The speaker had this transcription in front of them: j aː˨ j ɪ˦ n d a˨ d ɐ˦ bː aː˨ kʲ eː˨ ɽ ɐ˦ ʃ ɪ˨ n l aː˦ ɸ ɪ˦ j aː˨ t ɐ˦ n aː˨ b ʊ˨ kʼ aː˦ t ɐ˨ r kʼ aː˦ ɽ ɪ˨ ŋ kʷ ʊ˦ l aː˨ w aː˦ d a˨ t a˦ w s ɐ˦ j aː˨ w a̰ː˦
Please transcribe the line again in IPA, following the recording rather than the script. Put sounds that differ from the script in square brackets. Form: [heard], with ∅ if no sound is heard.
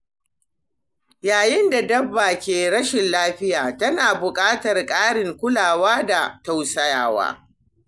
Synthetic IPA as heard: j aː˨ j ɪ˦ n d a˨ d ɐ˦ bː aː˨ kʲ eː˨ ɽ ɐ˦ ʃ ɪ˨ n l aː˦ ɸ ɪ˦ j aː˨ t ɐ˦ n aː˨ b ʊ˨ kʼ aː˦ t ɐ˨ r kʼ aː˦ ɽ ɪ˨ ŋ kʷ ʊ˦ l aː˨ w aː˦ d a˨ t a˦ w s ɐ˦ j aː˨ w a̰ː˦

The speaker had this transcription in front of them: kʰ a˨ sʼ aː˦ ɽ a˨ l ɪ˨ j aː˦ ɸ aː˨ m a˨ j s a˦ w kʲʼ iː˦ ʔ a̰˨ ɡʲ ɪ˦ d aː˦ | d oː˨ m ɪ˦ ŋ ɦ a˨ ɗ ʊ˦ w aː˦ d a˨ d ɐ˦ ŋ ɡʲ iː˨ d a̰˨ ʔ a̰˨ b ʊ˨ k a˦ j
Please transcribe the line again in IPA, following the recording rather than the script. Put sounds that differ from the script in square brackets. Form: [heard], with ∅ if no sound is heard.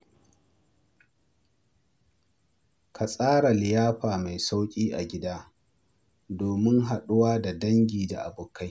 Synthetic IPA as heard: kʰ a˨ sʼ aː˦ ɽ a˨ l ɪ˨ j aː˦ ɸ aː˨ m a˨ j s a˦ w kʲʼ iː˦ ʔ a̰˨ ɡʲ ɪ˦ d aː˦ | d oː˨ m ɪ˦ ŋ ɦ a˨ ɗ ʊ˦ w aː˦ d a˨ d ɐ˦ ŋ ɡʲ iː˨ d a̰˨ ʔ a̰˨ b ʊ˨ k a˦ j

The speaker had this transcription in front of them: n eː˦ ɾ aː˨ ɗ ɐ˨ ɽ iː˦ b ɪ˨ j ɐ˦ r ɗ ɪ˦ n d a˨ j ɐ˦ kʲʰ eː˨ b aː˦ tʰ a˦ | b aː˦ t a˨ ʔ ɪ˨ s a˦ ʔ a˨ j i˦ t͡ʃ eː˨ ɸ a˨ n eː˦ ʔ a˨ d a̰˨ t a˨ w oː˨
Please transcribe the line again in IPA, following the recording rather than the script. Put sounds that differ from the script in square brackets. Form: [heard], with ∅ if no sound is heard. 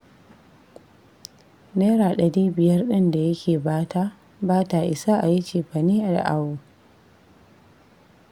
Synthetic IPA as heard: n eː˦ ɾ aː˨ ɗ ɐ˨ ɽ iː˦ b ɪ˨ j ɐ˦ r ɗ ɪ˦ n d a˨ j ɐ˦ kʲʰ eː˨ b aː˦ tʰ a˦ | b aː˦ t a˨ ʔ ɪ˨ s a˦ ʔ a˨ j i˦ t͡ʃ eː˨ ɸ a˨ n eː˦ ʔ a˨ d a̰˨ [ʔ] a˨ w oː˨

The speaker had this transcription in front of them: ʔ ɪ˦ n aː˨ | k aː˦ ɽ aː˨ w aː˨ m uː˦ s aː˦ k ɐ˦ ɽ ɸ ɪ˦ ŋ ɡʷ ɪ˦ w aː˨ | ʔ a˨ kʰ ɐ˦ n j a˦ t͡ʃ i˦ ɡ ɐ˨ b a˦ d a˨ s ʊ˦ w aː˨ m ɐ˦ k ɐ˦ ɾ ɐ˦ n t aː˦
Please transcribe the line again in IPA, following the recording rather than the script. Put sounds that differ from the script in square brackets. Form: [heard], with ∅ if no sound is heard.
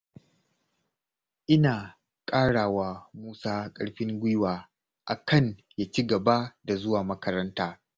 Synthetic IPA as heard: ʔ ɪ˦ n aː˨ | [kʼ] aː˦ ɽ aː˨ w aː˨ m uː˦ s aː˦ [kʼ] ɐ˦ ɽ ɸ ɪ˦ ŋ ɡʷ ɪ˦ w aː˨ | ʔ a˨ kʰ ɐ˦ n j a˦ t͡ʃ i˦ ɡ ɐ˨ b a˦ d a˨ [z] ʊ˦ w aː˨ m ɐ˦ k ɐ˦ ɾ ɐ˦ n t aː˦

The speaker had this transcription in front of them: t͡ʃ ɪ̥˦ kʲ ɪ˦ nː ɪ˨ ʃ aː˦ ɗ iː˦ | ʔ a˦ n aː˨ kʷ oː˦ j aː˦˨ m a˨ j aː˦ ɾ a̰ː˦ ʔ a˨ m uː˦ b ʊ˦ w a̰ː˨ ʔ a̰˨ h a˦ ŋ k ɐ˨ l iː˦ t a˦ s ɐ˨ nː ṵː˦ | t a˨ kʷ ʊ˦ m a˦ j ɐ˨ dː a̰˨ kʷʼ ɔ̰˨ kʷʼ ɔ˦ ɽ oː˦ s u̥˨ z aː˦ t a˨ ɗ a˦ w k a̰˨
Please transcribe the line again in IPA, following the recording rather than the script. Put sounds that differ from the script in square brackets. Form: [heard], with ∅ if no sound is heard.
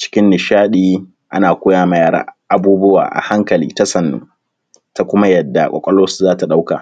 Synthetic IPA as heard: t͡ʃ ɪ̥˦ kʲ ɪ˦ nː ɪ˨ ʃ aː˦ ɗ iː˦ | ʔ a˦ n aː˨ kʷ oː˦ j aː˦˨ m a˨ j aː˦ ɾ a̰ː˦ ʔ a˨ [b] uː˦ b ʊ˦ w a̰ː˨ ʔ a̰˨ h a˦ ŋ k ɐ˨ l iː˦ t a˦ s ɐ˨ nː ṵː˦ | t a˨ kʷ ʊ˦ m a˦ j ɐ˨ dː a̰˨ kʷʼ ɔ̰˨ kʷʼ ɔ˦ [l] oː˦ s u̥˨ z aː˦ t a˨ ɗ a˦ w k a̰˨

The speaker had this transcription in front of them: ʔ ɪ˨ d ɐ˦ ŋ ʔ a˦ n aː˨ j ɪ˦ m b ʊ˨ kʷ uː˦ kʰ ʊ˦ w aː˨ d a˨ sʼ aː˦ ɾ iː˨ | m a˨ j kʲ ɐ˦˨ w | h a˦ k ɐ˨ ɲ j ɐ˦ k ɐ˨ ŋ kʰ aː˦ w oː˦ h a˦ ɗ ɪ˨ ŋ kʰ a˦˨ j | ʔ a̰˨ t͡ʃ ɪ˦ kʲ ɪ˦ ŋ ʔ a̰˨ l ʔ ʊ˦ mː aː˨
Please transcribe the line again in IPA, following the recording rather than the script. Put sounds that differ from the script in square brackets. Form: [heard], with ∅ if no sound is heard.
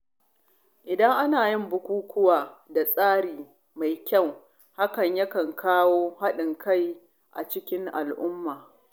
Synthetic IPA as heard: ʔ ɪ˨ d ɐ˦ ŋ ʔ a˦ n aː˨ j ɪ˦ m b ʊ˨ kʷ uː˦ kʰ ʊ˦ w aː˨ d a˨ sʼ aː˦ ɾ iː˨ | m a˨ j kʲ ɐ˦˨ w | h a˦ k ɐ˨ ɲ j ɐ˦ k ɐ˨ ŋ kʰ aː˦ w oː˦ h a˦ ɗ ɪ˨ ŋ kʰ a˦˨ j | ʔ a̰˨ t͡ʃ ɪ˦ kʲ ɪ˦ ŋ ʔ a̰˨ l ʔ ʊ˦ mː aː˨

